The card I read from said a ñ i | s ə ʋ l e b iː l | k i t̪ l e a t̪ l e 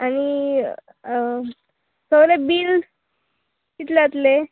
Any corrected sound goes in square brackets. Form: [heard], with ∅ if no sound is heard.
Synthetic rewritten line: a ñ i | s ə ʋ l e b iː l | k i t̪ l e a t̪ l e

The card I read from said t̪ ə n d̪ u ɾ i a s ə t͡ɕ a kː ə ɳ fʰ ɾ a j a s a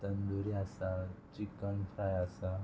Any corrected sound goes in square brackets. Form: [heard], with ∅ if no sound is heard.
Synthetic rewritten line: t̪ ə n d̪ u ɾ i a s [a] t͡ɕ [i] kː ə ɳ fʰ ɾ a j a s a

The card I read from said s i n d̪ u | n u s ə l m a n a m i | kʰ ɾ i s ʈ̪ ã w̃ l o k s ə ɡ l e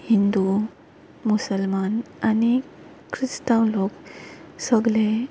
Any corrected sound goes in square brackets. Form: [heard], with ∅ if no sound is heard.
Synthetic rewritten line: [h] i n d̪ u | [m] u s ə l m a n a [n] i | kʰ ɾ i s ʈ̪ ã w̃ l o k s ə ɡ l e

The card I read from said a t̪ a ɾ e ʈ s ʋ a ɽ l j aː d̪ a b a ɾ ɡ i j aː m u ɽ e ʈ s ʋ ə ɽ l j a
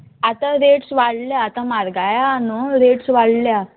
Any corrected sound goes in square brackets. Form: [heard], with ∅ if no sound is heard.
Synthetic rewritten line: a t̪ a ɾ e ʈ s ʋ a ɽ l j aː [t̪] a [m] a ɾ ɡ [a] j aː [n] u [ɾ] e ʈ s ʋ [a] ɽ l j a

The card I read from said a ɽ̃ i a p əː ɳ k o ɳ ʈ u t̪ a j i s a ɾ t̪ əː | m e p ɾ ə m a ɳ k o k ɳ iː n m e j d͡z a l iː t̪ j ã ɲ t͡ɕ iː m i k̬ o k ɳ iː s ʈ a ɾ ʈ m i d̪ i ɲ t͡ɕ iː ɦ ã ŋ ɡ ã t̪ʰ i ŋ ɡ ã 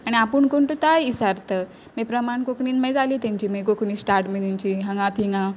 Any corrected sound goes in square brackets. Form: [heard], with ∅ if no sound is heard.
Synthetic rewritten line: a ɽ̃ i a p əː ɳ k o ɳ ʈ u t̪ a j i s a ɾ t̪ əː | m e p ɾ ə m a ɳ k o k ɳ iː n m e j d͡z a l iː t̪ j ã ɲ t͡ɕ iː m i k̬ o k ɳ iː s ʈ a ɾ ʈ m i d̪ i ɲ t͡ɕ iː ɦ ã ŋ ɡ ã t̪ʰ i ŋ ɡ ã

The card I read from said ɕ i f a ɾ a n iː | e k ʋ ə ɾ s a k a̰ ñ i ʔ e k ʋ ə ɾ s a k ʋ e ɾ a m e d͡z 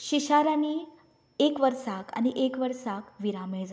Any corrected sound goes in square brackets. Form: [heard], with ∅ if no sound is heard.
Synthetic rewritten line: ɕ i [ɕ] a ɾ a n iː | e k ʋ ə ɾ s a k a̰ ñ i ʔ e k ʋ ə ɾ s a k ʋ [i] ɾ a m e d͡z

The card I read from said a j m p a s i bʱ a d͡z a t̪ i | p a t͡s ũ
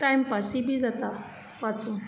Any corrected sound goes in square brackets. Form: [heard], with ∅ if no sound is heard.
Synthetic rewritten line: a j m p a s i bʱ [i] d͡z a t̪ [a] | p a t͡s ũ

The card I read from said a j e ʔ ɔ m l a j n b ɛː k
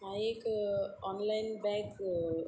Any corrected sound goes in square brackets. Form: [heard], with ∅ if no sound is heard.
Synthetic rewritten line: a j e [k] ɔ [n] l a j n b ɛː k

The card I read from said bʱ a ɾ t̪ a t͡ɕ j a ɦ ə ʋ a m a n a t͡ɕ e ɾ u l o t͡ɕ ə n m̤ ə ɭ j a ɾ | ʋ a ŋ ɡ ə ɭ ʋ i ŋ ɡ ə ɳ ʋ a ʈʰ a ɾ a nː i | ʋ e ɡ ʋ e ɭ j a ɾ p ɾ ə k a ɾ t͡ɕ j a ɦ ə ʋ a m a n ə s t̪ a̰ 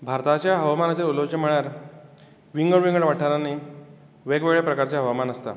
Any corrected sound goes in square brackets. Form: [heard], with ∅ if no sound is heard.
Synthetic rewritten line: bʱ a ɾ t̪ a t͡ɕ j a ɦ ə ʋ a m a n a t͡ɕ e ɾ u l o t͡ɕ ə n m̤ ə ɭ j a ɾ | ʋ [i] ŋ ɡ ə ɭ ʋ i ŋ ɡ ə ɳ ʋ a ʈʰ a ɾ a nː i | ʋ e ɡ ʋ e ɭ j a [∅] p ɾ ə k a ɾ t͡ɕ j a ɦ ə ʋ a m a n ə s t̪ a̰

